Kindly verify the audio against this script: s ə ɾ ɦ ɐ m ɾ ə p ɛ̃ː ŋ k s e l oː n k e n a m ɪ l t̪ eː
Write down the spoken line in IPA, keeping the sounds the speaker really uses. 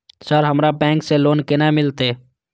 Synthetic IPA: s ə ɾ ɦ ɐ m ɾ a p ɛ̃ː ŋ k s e l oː n k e n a m ɪ l t̪ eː